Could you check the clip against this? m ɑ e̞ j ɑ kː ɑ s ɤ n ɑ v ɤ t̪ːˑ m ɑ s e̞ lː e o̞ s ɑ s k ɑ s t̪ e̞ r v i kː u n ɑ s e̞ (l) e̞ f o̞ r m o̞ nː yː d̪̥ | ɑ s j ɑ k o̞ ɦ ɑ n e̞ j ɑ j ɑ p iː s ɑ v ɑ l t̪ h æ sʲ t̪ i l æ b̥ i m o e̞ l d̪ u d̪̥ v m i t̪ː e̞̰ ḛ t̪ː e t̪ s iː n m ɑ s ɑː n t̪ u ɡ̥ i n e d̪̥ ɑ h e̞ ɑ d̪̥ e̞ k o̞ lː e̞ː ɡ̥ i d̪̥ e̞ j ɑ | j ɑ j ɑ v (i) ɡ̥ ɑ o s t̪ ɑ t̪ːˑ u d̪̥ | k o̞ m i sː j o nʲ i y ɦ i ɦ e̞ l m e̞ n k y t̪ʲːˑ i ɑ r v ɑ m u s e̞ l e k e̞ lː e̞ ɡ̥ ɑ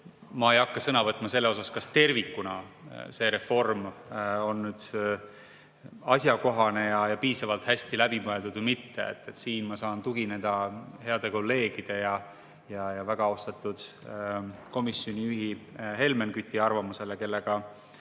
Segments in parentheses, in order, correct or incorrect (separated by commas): incorrect, incorrect